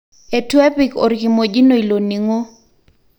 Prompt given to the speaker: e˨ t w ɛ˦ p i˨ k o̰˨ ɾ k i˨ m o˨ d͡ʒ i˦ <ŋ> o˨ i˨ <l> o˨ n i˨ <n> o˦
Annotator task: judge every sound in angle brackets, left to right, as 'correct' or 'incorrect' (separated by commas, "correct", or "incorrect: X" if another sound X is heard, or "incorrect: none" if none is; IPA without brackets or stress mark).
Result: incorrect: n, correct, incorrect: ŋ